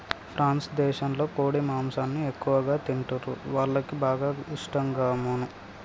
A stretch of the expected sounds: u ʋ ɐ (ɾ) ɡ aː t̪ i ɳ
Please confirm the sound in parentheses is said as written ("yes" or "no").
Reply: no